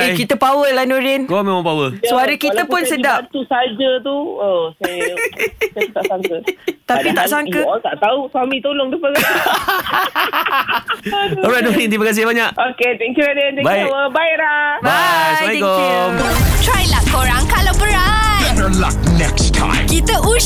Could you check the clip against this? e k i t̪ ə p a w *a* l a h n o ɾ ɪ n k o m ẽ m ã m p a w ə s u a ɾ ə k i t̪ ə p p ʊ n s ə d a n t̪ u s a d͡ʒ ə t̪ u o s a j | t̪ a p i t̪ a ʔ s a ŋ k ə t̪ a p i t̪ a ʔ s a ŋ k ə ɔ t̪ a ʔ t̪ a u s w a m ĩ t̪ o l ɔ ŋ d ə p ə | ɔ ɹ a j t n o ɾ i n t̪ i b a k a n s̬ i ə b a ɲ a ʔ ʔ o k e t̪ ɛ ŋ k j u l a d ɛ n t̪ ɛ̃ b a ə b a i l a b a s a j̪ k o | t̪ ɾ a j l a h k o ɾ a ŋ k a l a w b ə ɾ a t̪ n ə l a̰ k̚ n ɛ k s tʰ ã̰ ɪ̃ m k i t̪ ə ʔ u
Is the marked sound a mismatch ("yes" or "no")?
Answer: yes